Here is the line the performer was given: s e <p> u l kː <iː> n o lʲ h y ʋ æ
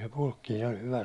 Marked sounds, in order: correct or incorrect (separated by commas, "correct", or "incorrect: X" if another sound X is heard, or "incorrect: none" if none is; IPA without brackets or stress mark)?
correct, correct